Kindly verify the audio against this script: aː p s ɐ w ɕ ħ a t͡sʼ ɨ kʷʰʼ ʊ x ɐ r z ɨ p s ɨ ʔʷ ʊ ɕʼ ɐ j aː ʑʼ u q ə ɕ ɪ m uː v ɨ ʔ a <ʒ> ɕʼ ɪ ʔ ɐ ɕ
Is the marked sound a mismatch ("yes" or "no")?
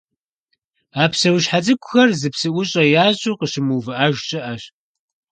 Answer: no